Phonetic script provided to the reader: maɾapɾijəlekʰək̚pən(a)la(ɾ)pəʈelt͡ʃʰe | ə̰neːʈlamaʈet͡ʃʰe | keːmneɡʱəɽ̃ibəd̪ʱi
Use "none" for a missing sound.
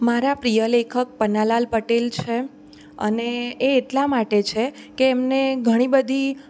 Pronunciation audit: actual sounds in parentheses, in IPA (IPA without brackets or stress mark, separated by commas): a, l